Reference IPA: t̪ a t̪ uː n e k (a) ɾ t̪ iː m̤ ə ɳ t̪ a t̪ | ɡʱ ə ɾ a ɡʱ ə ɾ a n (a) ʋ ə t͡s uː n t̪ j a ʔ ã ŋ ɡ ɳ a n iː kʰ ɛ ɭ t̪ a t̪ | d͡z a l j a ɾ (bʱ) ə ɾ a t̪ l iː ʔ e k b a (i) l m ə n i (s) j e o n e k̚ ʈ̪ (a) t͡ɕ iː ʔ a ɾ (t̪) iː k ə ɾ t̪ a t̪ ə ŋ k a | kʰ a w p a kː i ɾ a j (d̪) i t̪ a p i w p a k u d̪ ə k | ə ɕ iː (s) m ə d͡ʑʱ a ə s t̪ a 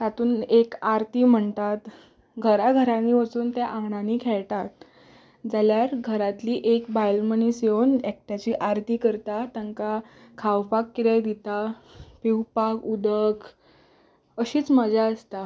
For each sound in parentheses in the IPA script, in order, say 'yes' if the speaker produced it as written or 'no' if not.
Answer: yes, no, no, no, yes, yes, yes, yes, no

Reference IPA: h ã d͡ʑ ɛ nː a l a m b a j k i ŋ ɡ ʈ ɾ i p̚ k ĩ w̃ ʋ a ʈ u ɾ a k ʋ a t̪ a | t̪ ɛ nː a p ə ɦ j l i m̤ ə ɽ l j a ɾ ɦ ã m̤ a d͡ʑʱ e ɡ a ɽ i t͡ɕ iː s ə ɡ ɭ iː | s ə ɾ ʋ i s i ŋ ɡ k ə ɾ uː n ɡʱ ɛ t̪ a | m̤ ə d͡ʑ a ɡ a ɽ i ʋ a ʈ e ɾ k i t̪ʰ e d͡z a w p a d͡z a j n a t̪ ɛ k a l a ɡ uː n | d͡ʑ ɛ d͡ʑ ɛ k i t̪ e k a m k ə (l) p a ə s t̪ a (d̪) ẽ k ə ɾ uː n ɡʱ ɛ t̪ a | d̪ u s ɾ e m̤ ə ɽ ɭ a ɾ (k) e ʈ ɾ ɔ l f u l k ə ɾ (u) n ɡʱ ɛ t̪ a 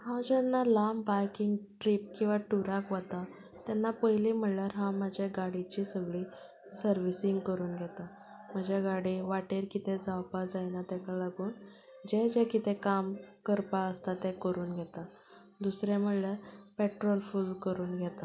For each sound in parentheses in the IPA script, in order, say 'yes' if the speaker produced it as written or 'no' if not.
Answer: no, no, no, no

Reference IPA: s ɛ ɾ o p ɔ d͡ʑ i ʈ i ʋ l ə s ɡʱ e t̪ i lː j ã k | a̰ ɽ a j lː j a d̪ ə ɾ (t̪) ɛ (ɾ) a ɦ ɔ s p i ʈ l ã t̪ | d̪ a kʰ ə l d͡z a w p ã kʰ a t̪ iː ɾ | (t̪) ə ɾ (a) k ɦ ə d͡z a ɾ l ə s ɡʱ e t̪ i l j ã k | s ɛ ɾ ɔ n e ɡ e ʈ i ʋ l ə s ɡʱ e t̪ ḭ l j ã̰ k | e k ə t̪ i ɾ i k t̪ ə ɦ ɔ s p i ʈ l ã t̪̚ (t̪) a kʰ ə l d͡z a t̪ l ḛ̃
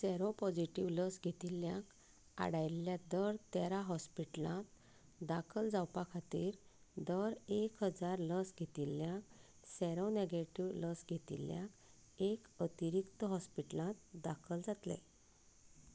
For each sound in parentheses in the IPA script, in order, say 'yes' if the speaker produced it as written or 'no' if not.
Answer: yes, yes, no, no, no

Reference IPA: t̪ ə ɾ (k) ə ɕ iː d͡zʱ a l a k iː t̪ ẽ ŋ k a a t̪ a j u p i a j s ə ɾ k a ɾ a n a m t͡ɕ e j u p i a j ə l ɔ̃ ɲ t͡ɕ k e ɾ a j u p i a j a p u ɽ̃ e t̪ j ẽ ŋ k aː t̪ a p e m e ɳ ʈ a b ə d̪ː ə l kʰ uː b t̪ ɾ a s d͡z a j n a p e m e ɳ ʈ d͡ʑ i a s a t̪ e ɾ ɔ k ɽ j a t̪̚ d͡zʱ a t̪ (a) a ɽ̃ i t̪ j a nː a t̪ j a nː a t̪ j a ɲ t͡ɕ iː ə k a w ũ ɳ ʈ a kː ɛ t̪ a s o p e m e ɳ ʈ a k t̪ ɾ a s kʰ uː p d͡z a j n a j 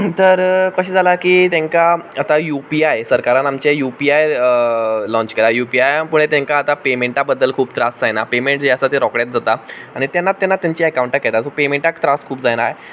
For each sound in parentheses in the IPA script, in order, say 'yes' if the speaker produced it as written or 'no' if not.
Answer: yes, yes

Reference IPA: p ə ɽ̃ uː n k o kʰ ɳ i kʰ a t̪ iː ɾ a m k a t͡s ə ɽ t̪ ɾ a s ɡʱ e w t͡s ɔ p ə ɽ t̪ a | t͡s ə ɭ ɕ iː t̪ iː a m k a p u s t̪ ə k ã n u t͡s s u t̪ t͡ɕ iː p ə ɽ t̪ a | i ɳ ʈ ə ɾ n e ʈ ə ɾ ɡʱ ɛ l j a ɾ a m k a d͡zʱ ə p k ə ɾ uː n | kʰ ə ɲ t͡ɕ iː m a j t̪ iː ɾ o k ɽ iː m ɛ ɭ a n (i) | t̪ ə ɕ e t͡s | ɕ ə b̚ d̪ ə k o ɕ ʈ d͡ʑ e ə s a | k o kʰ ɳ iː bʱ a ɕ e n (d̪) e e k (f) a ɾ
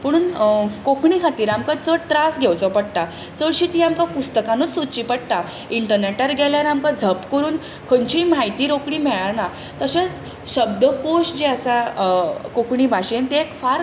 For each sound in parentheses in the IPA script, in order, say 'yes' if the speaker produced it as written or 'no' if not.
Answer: no, no, yes

